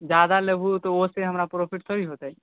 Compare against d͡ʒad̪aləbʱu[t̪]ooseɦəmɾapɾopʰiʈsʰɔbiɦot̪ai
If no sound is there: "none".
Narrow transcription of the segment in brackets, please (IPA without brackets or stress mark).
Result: t̪